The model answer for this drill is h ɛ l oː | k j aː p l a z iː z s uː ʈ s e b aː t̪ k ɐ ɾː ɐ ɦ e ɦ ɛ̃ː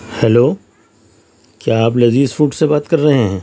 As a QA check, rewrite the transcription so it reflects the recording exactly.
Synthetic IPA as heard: h ɛ l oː | k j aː p l ɐ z iː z f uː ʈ s e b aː t̪ k ɐ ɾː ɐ ɦ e ɦ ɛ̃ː